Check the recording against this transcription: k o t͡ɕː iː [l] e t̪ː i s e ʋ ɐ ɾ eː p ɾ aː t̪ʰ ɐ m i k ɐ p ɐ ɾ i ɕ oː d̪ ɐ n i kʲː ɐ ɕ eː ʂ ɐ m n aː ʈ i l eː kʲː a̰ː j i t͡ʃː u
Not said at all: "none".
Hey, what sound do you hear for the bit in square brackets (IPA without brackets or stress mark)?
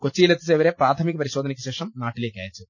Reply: l